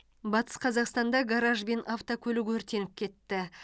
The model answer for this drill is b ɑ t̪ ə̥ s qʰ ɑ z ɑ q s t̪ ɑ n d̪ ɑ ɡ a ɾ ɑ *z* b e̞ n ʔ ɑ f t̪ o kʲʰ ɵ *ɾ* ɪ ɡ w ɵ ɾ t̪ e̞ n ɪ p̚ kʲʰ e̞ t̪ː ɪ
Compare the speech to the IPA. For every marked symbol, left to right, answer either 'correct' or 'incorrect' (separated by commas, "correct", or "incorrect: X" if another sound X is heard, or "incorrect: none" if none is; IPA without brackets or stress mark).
incorrect: ʒ, incorrect: l